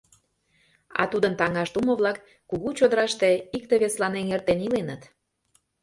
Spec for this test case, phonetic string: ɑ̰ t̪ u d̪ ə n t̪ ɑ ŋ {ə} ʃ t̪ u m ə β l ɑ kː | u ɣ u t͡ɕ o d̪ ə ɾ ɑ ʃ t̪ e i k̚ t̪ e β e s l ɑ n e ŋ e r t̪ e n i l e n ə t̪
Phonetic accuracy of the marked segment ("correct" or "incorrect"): incorrect